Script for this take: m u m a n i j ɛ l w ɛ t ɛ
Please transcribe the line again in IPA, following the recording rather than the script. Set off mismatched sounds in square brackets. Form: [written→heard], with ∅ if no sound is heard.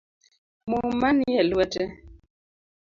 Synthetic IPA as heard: m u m a n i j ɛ l w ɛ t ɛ